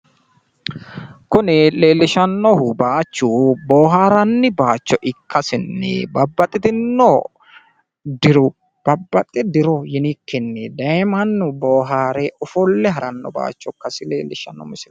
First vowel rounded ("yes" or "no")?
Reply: yes